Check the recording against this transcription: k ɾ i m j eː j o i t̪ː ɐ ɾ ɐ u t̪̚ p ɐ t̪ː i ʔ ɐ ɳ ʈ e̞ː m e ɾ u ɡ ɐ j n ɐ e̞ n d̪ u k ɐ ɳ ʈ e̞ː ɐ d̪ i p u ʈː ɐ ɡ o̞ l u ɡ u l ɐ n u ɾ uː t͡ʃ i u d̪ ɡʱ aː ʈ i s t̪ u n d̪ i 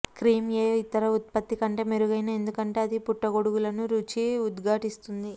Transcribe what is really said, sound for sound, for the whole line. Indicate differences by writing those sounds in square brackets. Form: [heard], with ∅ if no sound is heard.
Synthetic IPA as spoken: k ɾ [iː] m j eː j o i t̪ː ɐ ɾ ɐ u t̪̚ p ɐ t̪ː i [k] ɐ ɳ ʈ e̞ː m e ɾ u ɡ ɐ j n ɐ e̞ n d̪ u k ɐ ɳ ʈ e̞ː ɐ d̪ i p u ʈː ɐ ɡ o̞ [ɽ] u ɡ u l ɐ n u ɾ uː t͡ʃ i u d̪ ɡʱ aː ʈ i s t̪ u n d̪ i